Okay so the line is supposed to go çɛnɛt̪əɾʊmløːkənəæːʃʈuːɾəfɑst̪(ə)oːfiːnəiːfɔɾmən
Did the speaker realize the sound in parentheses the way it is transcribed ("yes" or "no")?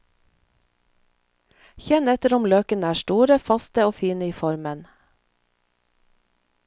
yes